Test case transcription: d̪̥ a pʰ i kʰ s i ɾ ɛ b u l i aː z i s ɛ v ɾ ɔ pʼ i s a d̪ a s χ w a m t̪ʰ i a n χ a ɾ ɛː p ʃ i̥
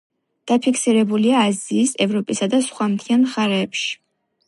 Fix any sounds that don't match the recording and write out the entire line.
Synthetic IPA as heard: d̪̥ a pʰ i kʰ s i ɾ ɛ b u l i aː z iː s ɛ v ɾ ɔ pʼ i s a d̪ a s χ w a m t̪ʰ i a n χ a ɾ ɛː p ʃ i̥